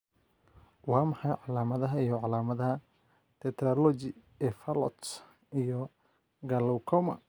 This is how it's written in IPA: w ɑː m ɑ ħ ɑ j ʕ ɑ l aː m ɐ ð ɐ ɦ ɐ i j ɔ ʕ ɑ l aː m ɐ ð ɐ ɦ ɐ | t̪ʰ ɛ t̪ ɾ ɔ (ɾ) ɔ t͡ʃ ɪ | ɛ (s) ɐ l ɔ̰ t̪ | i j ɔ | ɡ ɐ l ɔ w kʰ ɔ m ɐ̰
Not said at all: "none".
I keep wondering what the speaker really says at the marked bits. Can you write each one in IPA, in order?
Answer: l, f

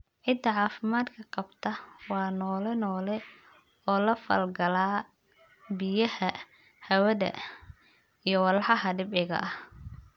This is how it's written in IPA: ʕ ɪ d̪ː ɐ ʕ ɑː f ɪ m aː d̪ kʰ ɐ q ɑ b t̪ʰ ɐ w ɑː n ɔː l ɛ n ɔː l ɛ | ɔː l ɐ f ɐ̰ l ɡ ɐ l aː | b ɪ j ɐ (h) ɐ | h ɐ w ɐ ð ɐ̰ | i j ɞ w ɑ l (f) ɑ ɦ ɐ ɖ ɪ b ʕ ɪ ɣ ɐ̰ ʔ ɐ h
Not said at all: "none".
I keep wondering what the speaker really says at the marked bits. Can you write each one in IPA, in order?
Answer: h, ħ

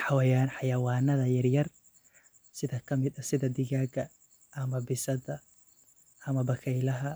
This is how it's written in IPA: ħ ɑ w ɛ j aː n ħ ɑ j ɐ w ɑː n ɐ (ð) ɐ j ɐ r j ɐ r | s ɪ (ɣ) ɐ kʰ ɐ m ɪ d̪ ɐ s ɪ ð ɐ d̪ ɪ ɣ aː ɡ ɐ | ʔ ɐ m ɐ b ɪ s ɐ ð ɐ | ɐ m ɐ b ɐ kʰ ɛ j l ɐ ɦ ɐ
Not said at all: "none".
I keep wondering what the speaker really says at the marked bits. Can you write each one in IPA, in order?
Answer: ð, ð

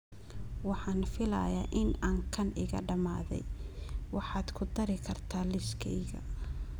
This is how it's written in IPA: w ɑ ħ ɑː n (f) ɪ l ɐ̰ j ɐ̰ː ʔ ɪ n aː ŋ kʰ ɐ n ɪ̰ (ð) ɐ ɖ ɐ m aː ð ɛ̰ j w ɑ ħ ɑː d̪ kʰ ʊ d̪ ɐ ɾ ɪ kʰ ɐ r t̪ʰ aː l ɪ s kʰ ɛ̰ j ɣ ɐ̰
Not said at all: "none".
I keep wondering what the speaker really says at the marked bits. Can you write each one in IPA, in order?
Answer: f, ɣ

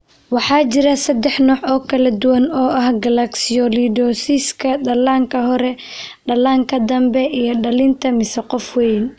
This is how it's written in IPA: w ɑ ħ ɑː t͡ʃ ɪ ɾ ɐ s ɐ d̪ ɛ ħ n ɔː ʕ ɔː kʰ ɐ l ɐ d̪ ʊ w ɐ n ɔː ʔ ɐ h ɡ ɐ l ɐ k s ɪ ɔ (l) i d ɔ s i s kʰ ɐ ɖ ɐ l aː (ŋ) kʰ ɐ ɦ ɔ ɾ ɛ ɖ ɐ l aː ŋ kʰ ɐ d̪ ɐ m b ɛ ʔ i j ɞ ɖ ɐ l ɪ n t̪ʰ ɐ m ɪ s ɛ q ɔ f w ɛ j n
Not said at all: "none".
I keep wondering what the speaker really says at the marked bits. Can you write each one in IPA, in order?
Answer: l, ŋ

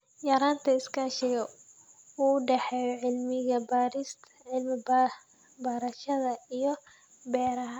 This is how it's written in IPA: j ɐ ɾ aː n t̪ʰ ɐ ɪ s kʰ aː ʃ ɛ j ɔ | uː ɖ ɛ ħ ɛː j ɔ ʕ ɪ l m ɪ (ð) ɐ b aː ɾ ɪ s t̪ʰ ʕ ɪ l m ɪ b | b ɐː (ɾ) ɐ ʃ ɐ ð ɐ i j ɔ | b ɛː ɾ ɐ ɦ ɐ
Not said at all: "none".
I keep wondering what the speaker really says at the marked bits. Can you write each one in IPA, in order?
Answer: ɣ, ɾ

